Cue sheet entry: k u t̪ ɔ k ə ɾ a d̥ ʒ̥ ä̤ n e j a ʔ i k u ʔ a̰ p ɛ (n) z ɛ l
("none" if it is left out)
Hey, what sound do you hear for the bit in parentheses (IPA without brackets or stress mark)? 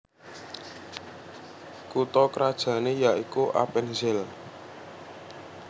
n